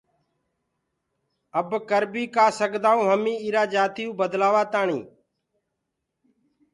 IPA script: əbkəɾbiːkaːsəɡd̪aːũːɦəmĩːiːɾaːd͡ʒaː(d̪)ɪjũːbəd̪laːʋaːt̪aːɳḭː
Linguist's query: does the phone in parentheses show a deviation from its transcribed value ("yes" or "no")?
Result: yes